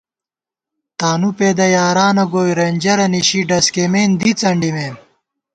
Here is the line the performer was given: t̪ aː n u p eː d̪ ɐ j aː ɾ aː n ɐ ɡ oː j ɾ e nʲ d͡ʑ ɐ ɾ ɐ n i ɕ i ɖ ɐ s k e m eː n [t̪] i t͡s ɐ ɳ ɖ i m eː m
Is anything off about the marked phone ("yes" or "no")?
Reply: yes